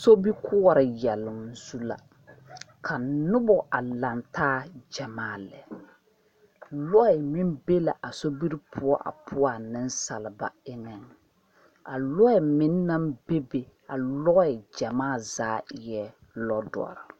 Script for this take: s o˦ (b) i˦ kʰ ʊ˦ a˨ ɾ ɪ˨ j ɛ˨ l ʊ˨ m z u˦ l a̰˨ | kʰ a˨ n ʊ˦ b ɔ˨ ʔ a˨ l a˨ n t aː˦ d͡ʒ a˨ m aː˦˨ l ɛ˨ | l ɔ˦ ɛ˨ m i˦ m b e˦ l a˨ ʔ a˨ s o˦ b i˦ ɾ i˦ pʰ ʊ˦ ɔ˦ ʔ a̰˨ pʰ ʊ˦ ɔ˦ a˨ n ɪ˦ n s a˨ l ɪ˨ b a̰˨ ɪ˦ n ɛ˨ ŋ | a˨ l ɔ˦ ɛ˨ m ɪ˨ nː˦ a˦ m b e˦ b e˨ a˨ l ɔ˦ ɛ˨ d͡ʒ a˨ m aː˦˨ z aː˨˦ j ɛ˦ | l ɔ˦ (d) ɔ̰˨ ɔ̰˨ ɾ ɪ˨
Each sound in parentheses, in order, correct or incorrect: correct, correct

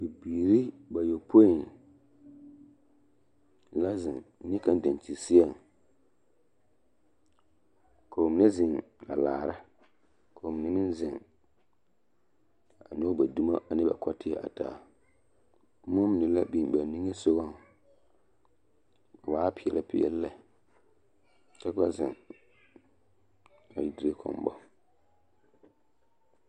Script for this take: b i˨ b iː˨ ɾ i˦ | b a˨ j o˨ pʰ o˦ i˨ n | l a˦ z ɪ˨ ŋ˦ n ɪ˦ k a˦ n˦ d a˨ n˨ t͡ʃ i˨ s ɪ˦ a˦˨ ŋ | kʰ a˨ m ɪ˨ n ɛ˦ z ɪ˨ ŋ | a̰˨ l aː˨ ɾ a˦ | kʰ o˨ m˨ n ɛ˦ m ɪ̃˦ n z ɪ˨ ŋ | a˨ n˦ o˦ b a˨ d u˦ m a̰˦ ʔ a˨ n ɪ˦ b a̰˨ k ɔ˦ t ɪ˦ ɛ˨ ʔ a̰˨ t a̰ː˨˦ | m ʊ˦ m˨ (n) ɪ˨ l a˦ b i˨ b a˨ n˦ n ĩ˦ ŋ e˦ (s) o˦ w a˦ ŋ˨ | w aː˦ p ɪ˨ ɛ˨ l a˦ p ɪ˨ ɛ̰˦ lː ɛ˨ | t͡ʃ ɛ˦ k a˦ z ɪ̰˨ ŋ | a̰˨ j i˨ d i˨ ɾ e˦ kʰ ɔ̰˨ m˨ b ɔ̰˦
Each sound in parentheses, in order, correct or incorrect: correct, correct

